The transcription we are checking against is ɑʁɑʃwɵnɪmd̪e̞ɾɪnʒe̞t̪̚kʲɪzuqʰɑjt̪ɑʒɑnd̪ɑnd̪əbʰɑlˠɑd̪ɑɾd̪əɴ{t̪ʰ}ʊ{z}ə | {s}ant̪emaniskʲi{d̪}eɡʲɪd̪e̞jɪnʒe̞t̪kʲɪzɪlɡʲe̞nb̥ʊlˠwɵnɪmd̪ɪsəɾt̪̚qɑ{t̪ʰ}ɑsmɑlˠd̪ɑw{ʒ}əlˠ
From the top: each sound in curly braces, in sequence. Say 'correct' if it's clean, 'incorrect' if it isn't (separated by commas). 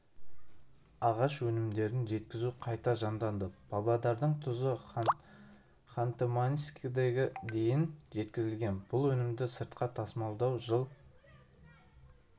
correct, correct, incorrect, correct, correct, correct